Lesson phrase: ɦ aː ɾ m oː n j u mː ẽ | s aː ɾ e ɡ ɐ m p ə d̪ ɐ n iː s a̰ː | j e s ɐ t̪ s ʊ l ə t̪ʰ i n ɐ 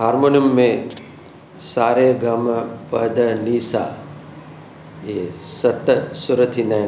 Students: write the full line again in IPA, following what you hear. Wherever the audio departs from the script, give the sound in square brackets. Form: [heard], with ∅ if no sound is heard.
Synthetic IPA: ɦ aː ɾ m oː n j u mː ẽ | s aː ɾ e ɡ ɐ m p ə d̪ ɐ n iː s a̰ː | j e s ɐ t̪ s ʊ [ɾ] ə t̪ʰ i n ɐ